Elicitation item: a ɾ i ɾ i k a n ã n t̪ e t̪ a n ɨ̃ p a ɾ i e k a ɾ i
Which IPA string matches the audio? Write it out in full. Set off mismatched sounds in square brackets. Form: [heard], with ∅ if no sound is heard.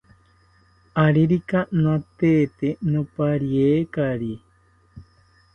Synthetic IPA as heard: a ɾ i ɾ i k a n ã [∅] t̪ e t̪ [e] n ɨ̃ p a ɾ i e k a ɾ i